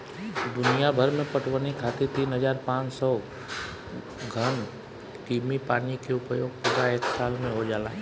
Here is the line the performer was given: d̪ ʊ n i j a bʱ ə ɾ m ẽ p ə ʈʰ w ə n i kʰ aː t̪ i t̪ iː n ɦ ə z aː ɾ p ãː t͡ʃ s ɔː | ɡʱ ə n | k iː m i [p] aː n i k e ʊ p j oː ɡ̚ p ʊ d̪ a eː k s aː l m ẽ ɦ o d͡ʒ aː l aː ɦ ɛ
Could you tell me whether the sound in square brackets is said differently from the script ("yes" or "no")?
no